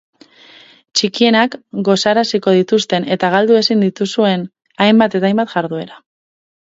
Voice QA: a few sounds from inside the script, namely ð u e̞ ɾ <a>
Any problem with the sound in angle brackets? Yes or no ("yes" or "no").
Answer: no